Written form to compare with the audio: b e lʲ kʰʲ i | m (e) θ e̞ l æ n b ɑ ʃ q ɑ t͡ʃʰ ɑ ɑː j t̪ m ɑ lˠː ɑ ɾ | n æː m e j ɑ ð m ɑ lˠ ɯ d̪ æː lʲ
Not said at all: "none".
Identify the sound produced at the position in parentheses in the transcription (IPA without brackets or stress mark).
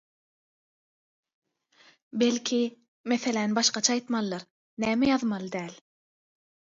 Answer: e